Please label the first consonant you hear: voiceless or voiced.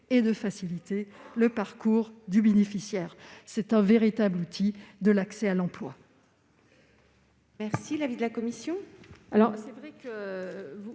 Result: voiced